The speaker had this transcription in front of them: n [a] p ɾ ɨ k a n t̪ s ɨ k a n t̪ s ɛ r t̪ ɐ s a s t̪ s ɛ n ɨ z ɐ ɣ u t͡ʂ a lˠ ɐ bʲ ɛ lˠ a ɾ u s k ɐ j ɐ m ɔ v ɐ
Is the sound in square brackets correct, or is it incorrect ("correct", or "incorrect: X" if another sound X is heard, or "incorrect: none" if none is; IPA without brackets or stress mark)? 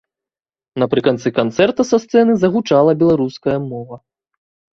incorrect: ɐ